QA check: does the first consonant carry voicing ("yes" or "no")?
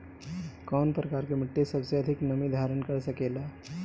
no